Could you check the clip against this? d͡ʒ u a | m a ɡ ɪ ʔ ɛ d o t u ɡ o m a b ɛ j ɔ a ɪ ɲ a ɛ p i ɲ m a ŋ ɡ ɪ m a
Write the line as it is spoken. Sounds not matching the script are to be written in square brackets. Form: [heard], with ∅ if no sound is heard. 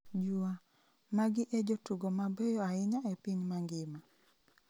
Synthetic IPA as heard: d͡ʒ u a | m a ɡ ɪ ʔ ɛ [d͡ʒ] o t u ɡ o m a b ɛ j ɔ a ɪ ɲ a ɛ p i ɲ m a ŋ ɡ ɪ m a